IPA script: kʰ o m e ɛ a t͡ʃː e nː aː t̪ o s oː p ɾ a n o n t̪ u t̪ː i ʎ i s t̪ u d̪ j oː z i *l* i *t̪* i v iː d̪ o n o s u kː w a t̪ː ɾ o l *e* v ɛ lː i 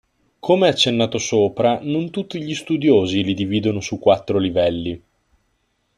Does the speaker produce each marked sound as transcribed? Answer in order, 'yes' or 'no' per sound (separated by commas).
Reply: yes, no, no